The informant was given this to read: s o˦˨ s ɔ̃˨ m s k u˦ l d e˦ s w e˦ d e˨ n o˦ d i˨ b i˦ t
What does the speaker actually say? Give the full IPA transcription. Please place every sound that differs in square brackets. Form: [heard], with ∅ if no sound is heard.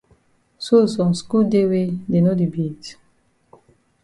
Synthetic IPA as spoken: s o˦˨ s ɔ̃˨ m s k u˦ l d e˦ [∅] w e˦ d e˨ n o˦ d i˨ b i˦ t